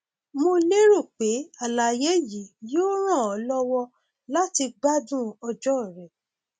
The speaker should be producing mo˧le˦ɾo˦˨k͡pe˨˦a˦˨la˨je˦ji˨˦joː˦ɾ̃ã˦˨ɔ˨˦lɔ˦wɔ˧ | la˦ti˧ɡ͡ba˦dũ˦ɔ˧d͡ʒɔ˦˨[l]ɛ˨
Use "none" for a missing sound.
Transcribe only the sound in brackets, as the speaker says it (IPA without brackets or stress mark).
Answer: ɾ